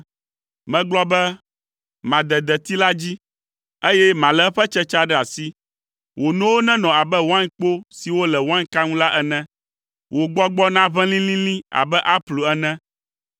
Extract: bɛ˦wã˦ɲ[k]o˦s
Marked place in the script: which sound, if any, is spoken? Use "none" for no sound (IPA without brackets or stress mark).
k͡p